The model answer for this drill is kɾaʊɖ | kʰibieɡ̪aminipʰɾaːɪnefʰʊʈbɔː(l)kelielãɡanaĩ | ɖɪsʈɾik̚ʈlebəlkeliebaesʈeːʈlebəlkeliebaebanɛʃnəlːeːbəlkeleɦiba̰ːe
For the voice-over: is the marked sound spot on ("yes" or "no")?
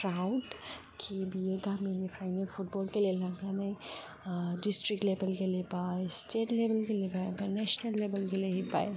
yes